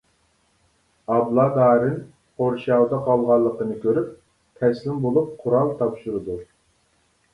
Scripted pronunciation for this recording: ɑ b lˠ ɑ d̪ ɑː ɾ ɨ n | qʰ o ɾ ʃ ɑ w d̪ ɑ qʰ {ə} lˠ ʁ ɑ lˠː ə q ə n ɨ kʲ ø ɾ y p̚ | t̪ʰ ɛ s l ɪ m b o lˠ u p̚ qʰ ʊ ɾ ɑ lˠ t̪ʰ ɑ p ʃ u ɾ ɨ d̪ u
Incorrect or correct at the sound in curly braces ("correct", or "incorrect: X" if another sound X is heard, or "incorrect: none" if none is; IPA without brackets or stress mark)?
incorrect: ɑ